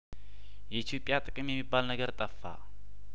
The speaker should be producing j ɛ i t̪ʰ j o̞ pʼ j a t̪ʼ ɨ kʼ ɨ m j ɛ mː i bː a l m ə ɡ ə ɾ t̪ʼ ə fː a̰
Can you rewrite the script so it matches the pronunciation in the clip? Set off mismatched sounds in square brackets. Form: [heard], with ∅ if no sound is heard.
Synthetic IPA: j ɛ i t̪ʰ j o̞ pʼ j a t̪ʼ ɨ kʼ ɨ m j ɛ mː i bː a l [n] ə ɡ ə ɾ t̪ʼ ə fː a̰